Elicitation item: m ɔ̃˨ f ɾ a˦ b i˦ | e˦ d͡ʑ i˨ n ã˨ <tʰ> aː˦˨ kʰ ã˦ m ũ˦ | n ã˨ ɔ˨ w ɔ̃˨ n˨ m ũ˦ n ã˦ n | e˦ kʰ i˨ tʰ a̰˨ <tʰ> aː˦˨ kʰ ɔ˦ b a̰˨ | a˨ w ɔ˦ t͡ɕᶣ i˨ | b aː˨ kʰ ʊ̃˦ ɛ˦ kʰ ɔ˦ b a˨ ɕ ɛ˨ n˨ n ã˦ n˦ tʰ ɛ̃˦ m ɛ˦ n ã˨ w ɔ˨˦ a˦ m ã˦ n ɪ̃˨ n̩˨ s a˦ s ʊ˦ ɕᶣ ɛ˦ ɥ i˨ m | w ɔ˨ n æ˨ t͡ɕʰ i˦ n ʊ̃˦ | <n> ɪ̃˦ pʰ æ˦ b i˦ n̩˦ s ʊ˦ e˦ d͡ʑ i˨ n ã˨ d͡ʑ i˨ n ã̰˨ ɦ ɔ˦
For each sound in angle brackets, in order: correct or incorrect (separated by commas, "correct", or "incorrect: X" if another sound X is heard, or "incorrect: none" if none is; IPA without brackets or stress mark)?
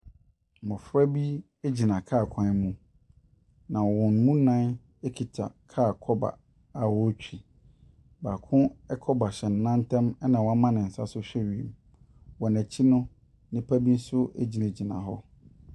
incorrect: kʰ, incorrect: kʰ, correct